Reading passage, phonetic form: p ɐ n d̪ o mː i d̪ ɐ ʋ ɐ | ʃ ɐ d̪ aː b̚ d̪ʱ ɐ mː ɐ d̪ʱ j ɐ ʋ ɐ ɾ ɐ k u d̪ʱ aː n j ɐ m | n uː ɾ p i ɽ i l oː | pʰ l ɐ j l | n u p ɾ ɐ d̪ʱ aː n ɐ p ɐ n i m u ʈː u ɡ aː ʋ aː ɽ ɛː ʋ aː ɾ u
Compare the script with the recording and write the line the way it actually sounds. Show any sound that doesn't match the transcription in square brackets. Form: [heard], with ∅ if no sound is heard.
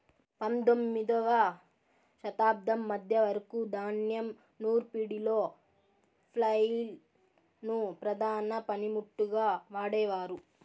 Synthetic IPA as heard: p ɐ n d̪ o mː i d̪ ɐ ʋ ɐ | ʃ ɐ [t̪] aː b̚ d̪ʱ ɐ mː ɐ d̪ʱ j ɐ ʋ ɐ ɾ ɐ k u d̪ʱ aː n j ɐ m | n uː ɾ p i ɽ i l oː | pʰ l ɐ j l | n u p ɾ ɐ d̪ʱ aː n ɐ p ɐ n i m u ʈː u ɡ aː ʋ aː ɽ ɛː ʋ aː ɾ u